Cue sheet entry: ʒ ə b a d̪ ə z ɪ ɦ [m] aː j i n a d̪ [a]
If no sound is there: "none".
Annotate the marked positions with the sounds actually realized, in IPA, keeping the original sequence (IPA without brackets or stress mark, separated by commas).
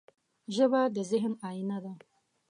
n, a